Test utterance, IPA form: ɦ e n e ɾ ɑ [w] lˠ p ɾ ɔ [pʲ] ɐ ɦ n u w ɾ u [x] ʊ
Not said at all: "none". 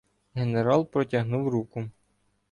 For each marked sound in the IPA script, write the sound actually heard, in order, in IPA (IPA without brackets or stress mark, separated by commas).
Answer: none, tʲ, k